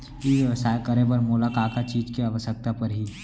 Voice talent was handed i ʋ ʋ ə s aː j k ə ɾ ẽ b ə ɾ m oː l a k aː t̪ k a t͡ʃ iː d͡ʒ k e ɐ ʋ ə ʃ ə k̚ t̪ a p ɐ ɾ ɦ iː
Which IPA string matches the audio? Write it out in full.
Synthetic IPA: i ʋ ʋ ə s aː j k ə ɾ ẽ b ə ɾ m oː l a k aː k a t͡ʃ iː d͡ʒ k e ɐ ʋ ə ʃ ə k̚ t̪ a p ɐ ɾ ɦ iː